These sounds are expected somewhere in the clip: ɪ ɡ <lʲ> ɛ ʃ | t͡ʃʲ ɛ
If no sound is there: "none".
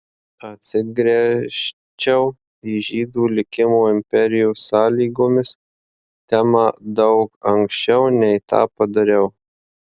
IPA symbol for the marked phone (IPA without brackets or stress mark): ɾʲ